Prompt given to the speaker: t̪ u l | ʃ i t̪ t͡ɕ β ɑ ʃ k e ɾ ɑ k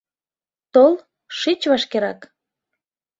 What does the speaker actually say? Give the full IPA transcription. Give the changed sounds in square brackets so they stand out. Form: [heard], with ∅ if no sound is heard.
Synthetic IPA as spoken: t̪ [o] l | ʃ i [∅] t͡ɕ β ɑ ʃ k e ɾ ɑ k